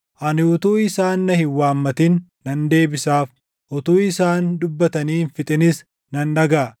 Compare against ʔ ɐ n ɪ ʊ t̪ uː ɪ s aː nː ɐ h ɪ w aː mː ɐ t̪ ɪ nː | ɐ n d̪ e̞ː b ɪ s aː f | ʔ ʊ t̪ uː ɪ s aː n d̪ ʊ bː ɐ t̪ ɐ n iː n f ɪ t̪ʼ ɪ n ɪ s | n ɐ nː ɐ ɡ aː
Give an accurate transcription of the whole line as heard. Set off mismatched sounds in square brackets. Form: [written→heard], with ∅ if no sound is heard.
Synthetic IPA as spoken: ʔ ɐ n ɪ ʊ t̪ uː ɪ s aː nː ɐ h ɪ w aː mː ɐ t̪ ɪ nː | ɐ n d̪ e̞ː b ɪ s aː f | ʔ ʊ t̪ uː ɪ s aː n d̪ ʊ bː ɐ t̪ ɐ n iː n f ɪ t̪ʼ ɪ n ɪ s | n ɐ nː ɐ ɡ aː

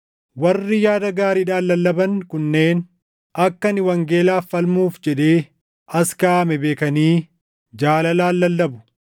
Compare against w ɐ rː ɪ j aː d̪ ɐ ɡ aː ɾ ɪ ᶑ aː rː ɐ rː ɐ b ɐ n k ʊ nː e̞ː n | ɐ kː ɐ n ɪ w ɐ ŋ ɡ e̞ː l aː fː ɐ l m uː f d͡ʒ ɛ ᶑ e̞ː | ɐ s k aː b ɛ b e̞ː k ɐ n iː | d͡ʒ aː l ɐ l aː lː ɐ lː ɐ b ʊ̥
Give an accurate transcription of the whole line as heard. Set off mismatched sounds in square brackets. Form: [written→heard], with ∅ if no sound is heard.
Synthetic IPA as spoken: w ɐ rː ɪ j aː d̪ ɐ ɡ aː ɾ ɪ ᶑ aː [rː→lː] ɐ [rː→lː] ɐ b ɐ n k ʊ nː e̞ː n | ɐ kː ɐ n ɪ w ɐ ŋ ɡ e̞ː l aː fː ɐ l m uː f d͡ʒ ɛ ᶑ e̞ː | ɐ s k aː [b→m] ɛ b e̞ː k ɐ n iː | d͡ʒ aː l ɐ l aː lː ɐ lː ɐ b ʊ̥

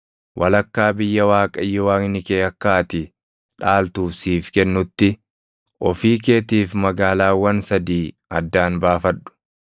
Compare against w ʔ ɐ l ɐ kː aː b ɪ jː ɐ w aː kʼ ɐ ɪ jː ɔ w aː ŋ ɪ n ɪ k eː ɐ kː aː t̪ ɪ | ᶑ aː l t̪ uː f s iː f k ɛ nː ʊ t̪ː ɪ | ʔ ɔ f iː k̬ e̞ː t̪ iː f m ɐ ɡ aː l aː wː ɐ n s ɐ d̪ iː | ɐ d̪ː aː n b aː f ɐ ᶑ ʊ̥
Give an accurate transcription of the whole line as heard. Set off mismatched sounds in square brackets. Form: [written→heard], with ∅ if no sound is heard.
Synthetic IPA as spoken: w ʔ ɐ l ɐ kː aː b ɪ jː ɐ w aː kʼ ɐ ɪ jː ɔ w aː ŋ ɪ n ɪ k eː ɐ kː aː t̪ ɪ | ᶑ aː l t̪ uː f s iː f k ɛ nː ʊ t̪ː ɪ | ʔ ɔ f iː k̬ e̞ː t̪ iː f m ɐ ɡ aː l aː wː ɐ n s ɐ d̪ iː | ɐ d̪ː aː n b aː f ɐ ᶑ ʊ̥

